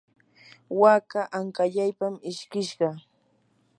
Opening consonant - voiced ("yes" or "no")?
yes